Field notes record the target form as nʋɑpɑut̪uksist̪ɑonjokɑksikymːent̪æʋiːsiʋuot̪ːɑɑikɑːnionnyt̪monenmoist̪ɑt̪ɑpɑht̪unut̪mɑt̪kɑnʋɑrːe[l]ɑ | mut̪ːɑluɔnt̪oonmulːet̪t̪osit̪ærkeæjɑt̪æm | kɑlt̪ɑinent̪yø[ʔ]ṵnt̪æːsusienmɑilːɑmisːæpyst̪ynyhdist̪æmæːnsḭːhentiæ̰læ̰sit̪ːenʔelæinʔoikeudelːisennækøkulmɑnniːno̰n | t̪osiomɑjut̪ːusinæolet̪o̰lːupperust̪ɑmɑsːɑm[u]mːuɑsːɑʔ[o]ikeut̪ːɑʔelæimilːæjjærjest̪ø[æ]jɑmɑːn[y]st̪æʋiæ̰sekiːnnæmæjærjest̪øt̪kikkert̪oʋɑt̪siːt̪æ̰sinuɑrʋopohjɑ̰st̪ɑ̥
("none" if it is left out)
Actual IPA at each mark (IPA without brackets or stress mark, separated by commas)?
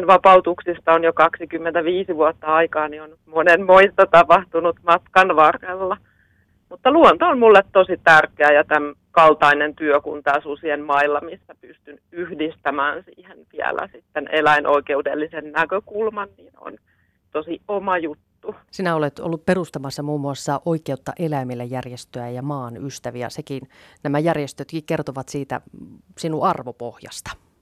lː, k, uː, o, æ, y